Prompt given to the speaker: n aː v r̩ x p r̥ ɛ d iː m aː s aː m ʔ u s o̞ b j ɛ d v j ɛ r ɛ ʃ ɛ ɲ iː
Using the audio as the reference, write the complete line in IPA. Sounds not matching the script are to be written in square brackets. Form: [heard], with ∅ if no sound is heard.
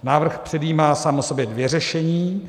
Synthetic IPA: n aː v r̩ x p r̥ ɛ d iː m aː s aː m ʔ [o] s o̞ b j ɛ d v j ɛ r ɛ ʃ ɛ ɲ iː